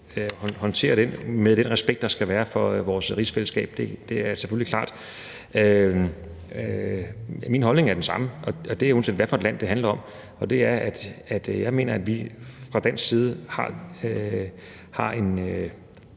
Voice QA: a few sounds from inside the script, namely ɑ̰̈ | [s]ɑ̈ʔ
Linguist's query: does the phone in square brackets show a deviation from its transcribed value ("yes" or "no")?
yes